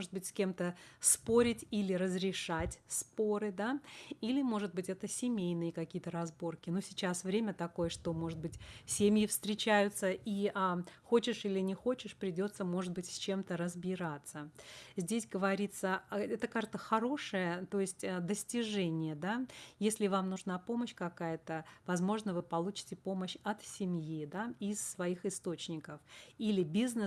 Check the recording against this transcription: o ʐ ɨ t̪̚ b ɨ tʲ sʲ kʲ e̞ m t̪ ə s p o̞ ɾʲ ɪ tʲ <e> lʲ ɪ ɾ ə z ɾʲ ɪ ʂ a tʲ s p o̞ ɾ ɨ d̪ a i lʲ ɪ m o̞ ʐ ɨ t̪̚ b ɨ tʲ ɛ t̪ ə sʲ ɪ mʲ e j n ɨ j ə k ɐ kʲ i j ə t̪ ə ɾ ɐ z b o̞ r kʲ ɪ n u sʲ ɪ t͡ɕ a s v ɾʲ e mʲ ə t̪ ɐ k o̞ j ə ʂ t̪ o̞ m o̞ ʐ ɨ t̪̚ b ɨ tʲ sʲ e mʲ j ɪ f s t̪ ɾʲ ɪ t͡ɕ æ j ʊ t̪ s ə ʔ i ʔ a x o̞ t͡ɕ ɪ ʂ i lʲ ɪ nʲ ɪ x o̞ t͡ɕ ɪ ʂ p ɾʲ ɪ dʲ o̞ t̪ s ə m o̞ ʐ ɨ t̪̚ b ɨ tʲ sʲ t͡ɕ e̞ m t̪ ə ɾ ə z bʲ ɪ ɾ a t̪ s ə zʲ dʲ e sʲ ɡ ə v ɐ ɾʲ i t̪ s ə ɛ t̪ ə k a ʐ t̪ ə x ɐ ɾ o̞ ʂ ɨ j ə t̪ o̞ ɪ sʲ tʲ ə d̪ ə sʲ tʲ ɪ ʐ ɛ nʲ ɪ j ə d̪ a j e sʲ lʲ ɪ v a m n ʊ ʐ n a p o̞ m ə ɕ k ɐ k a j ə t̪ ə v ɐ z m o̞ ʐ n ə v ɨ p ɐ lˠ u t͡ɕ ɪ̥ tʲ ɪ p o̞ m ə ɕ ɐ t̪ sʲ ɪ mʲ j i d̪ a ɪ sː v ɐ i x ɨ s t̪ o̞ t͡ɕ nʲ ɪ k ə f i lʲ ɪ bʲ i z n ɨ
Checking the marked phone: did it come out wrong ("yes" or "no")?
yes